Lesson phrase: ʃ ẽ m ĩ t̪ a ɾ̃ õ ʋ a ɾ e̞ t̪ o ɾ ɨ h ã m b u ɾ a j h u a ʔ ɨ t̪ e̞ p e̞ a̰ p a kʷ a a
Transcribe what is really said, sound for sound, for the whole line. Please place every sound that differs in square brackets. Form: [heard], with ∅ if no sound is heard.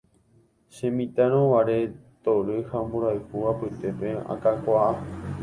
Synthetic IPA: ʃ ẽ m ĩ t̪ a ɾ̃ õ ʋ a ɾ e̞ t̪ o ɾ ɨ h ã m b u ɾ a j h u a [p] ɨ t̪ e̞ p e̞ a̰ [k] a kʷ a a